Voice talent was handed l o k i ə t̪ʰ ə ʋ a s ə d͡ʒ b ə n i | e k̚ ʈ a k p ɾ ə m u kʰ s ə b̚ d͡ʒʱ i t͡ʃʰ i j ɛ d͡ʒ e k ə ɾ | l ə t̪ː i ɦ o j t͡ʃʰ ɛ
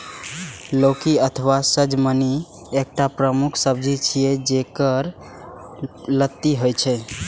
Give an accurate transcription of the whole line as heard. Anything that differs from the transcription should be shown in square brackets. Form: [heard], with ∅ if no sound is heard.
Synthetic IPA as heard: l o k i ə t̪ʰ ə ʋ a s ə d͡ʒ [m] ə n i | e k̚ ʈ a [∅] p ɾ ə m u kʰ s ə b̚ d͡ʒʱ i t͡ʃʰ i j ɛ d͡ʒ e k ə ɾ | l ə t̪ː i ɦ o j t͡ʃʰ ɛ

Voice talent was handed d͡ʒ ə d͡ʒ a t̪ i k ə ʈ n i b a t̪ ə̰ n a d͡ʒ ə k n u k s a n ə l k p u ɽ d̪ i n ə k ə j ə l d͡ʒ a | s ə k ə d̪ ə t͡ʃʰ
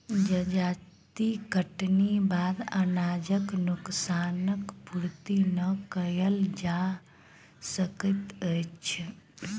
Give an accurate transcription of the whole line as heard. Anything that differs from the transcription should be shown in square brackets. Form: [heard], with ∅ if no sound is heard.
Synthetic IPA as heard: d͡ʒ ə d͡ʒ a t̪ i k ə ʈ n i b a [d̪] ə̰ n a d͡ʒ ə k n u k s a n ə [∅] k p u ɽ [t̪] i n ə k ə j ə l d͡ʒ a | s ə k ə [t̪] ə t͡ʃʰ

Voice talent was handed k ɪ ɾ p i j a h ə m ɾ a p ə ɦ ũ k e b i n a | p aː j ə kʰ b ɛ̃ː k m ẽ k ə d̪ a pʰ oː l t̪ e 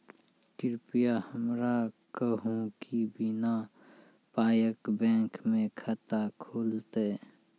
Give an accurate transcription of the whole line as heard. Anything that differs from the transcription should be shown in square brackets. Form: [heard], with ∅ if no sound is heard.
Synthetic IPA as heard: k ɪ ɾ p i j a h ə m ɾ a [k] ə ɦ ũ k [i] b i n a | p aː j ə [k] b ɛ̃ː k m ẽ [kʰ] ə [t̪] a [kʰ] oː l t̪ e

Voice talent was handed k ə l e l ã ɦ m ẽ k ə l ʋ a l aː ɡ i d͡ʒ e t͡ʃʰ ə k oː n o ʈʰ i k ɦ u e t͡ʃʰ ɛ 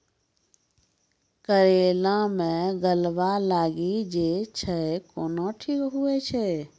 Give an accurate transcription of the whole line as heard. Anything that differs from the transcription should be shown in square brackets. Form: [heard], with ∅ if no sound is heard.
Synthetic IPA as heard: k ə [ɾ] e l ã [∅] m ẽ [ɡ] ə l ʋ a l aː ɡ i d͡ʒ e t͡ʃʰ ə k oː n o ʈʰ i k ɦ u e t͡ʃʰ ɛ

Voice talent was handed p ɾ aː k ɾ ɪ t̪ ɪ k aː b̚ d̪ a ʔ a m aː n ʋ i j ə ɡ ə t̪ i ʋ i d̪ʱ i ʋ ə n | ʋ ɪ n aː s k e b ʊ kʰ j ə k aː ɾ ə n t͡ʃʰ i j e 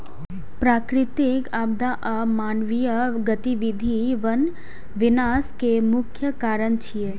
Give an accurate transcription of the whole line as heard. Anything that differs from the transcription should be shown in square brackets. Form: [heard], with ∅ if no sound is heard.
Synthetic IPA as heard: p ɾ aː k ɾ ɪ t̪ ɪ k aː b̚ d̪ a ʔ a m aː n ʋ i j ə ɡ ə t̪ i ʋ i d̪ʱ i ʋ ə n | ʋ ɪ n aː s k e [m] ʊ kʰ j ə k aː ɾ ə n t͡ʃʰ i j e

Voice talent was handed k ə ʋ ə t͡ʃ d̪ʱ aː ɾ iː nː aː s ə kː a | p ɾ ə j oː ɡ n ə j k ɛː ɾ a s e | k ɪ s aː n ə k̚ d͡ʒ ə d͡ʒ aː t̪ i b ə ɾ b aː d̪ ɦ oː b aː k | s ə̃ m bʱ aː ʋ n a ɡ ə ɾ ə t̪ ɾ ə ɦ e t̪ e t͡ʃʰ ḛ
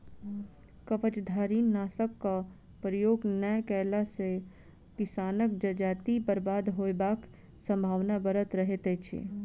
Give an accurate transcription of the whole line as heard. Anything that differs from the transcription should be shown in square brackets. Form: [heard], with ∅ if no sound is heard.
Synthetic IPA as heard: k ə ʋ ə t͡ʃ d̪ʱ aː ɾ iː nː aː s ə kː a | p ɾ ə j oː ɡ n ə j k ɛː [l] a s e | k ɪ s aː n ə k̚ d͡ʒ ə d͡ʒ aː t̪ i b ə ɾ b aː d̪ ɦ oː b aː k | s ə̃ m bʱ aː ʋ n a [b] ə ɾ ə t̪ ɾ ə ɦ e t̪ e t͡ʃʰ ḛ

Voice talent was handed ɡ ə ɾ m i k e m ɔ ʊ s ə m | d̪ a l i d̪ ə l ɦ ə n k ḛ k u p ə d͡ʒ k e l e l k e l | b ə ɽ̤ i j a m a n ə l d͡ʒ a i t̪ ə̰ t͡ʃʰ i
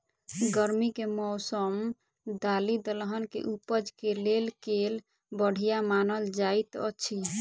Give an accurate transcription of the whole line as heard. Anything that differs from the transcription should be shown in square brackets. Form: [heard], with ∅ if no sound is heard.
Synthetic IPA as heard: ɡ ə ɾ m i k e m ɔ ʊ s ə m | d̪ a l i d̪ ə l ɦ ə n k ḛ [ʔ] u p ə d͡ʒ k e l e l k e l | b ə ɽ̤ i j a m a n ə l d͡ʒ a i t̪ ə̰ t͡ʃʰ i

